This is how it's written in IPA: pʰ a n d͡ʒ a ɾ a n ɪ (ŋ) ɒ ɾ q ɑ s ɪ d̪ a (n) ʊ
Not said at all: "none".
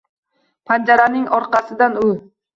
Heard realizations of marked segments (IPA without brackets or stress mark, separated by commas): ŋ, n